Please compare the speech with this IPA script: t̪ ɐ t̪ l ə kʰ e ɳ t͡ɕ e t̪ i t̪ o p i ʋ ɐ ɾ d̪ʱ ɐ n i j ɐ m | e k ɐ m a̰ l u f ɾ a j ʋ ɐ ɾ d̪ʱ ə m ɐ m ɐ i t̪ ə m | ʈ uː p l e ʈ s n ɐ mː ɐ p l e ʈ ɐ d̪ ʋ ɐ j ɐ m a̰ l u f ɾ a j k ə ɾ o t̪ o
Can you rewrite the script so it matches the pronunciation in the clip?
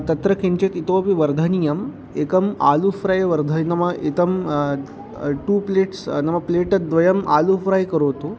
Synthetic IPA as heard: t̪ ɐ t̪ ɾ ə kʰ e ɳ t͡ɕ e t̪ i t̪ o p i ʋ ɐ ɾ d̪ʱ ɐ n i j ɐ m | e k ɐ m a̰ l u f ɾ a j ʋ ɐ ɾ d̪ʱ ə n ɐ m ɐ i t̪ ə m | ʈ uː p l e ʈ s n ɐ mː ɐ p l e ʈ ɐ d̪ ʋ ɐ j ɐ m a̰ l u f ɾ a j k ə ɾ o t̪ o